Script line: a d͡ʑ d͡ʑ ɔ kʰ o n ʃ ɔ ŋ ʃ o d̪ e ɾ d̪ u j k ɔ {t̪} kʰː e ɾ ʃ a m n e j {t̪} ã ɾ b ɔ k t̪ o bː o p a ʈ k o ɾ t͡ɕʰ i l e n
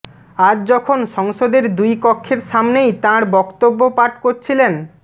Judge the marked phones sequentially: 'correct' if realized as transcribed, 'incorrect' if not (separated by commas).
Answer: incorrect, correct